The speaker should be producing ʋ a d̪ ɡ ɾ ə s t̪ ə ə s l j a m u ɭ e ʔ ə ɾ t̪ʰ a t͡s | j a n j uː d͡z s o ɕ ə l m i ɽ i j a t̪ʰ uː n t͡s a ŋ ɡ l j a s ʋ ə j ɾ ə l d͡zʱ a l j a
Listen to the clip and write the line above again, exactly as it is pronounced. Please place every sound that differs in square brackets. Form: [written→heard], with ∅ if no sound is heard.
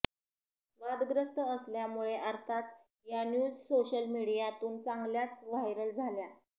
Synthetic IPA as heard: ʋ a d̪ ɡ ɾ ə s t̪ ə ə s l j a m u ɭ e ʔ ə ɾ t̪ʰ a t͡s | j a n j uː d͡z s o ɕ ə l m i ɽ i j a [t̪ʰ→t̪] uː n t͡s a ŋ ɡ l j a [s→t͡s] ʋ [ə→a] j ɾ ə l d͡zʱ a l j a